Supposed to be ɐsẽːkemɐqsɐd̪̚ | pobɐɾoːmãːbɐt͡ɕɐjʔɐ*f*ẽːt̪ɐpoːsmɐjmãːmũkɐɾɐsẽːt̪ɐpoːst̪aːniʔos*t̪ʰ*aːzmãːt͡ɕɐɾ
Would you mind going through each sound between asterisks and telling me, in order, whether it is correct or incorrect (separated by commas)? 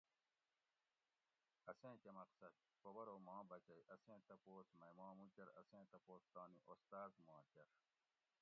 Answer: incorrect, incorrect